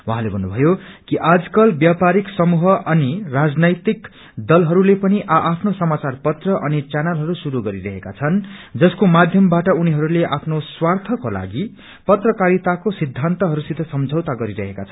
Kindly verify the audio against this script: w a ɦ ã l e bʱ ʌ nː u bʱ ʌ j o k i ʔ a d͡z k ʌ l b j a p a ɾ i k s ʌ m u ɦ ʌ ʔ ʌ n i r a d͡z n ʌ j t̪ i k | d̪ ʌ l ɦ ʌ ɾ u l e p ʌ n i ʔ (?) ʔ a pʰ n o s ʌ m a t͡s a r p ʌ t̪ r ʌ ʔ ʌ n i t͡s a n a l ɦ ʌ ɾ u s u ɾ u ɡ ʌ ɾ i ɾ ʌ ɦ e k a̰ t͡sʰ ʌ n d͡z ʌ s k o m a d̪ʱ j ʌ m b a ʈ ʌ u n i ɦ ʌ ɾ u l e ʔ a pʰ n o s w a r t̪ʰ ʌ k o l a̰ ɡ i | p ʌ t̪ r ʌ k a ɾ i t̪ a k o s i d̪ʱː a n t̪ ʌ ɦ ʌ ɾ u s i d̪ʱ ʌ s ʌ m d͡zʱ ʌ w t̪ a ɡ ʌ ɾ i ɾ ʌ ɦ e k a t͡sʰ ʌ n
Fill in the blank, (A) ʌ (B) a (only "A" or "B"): B